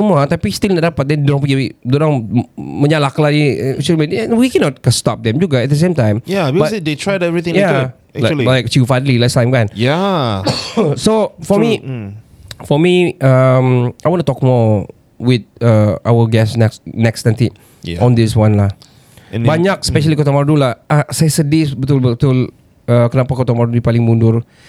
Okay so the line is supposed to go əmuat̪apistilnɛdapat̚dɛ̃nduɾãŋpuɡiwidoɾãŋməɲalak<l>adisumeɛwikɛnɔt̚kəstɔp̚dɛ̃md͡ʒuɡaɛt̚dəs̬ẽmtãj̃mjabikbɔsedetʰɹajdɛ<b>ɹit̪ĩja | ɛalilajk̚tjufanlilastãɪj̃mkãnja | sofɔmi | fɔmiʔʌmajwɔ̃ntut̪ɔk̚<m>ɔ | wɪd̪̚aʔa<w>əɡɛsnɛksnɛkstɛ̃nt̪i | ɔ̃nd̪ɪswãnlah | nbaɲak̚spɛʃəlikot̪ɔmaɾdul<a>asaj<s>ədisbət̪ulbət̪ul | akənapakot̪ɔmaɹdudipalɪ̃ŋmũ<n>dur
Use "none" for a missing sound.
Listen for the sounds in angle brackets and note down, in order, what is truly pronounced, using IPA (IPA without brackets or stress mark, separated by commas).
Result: l, v, m, w, a, s, n